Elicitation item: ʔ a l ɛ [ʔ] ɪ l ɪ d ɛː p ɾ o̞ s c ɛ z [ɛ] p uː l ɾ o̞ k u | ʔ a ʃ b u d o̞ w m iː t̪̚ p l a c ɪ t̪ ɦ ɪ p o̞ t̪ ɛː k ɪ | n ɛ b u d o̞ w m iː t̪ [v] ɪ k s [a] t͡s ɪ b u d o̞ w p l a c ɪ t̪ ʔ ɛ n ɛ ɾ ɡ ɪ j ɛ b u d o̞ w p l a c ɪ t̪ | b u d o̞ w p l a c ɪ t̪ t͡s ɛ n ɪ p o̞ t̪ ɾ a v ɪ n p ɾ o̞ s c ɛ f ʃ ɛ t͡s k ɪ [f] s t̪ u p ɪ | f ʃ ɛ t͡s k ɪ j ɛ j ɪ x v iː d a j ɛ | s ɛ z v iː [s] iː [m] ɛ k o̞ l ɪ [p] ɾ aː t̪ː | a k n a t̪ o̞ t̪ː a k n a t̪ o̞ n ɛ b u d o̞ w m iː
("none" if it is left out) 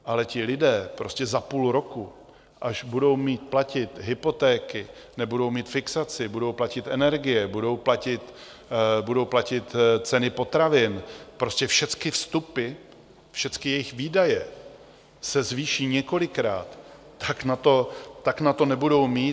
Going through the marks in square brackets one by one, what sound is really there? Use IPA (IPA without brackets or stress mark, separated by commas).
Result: c, a, f, a, f, ʃ, ɲ, k